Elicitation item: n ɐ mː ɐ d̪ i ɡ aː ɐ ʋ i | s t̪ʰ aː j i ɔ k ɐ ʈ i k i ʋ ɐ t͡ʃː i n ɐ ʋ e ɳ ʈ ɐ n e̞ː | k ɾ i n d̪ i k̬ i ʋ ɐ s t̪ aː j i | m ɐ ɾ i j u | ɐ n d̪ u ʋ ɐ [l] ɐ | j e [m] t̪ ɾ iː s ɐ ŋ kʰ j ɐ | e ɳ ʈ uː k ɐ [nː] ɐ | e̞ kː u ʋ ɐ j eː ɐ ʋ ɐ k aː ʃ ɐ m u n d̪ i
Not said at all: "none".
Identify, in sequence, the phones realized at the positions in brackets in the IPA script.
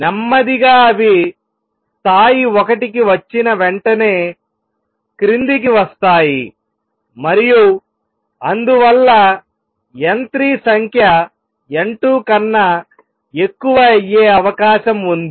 lː, n, nː

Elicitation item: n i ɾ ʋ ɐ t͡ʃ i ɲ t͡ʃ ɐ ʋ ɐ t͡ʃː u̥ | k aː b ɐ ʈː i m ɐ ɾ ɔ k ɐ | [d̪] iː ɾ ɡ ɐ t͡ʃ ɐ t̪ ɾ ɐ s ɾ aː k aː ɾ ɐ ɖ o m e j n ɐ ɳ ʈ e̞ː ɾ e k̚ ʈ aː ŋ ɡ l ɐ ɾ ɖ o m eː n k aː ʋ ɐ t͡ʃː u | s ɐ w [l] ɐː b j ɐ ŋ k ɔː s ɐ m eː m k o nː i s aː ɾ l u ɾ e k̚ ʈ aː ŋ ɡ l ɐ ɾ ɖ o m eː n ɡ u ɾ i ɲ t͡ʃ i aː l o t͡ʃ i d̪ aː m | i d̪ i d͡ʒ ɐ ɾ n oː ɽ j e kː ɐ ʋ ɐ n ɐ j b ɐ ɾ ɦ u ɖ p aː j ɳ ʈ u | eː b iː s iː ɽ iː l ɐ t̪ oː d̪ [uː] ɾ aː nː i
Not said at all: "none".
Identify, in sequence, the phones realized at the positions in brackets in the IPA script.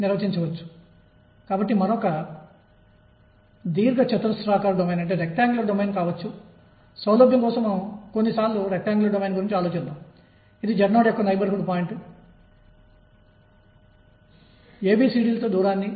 d̪, l, uː

